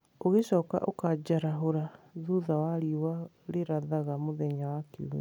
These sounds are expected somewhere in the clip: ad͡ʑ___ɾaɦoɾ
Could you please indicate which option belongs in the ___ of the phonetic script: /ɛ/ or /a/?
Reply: a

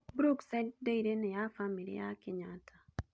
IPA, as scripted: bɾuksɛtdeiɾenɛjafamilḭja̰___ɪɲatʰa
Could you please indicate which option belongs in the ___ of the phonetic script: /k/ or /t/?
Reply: k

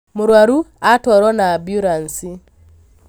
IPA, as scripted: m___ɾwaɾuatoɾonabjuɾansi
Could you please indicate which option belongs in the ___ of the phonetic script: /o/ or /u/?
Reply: u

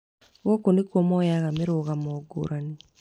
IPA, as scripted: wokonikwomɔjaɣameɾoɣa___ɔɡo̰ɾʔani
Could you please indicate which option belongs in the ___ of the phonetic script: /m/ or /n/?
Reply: m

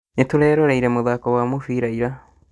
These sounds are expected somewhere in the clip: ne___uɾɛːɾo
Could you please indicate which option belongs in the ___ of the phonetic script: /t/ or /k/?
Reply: t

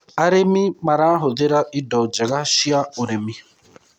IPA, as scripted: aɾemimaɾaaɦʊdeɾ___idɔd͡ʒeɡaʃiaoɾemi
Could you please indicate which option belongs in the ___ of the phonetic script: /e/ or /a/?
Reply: a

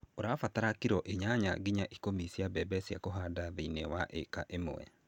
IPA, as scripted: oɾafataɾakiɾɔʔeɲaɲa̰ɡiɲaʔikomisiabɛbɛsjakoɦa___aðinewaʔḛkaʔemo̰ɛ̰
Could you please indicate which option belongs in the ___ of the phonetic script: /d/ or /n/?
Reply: d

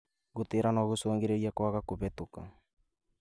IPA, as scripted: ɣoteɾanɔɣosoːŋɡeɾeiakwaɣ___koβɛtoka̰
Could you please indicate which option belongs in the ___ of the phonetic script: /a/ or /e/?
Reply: a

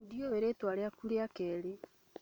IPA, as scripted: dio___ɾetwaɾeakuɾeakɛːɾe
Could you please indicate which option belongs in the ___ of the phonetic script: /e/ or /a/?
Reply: e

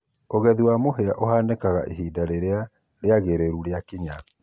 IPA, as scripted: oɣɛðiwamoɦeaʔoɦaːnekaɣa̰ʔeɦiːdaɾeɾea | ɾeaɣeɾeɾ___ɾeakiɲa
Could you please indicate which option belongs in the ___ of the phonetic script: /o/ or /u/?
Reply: u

